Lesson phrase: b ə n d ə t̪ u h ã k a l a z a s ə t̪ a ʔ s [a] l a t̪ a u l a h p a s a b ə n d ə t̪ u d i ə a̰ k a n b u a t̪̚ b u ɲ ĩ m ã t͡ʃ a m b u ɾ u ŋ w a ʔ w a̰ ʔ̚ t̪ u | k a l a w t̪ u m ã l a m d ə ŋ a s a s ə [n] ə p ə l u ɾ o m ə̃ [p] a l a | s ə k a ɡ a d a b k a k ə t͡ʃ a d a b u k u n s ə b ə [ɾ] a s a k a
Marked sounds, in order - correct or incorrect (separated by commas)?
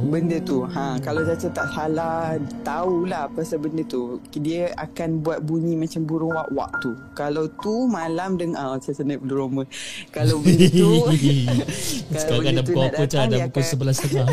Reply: correct, correct, incorrect, incorrect